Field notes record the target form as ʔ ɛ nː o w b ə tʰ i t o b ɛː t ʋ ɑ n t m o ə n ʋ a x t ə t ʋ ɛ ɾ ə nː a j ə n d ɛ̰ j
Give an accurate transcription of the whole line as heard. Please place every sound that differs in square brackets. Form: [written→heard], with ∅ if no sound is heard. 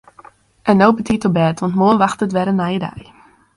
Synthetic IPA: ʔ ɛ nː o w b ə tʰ i t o b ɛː t ʋ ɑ n t m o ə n ʋ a x t ə t ʋ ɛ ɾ ə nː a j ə [n→∅] d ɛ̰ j